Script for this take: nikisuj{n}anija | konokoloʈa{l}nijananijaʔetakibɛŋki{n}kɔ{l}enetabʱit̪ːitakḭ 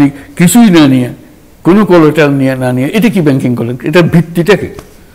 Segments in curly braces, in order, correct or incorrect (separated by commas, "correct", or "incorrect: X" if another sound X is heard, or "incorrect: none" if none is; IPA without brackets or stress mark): correct, correct, incorrect: ŋ, correct